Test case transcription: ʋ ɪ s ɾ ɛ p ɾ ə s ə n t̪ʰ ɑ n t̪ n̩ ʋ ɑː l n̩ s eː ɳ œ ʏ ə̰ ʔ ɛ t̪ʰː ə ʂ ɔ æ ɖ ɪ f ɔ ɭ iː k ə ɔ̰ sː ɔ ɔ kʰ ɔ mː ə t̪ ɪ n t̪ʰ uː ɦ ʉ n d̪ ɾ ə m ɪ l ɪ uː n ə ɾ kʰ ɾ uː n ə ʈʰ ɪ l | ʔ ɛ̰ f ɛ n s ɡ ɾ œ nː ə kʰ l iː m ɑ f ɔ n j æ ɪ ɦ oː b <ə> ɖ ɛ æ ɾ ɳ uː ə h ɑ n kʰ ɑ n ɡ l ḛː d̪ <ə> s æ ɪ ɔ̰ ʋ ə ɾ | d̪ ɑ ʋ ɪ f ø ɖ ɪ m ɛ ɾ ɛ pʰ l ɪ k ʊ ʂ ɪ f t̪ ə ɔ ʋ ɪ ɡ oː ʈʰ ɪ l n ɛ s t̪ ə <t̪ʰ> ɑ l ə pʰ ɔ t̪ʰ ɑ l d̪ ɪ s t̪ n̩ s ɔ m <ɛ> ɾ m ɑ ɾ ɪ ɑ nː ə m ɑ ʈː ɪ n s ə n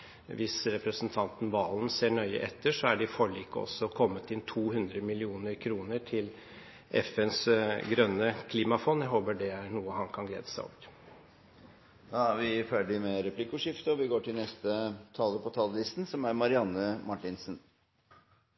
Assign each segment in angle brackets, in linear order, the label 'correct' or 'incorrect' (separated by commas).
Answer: correct, correct, correct, incorrect